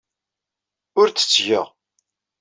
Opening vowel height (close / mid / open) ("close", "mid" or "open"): close